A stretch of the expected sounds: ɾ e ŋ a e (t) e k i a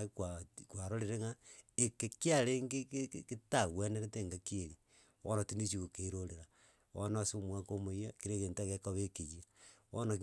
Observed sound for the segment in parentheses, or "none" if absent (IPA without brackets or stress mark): k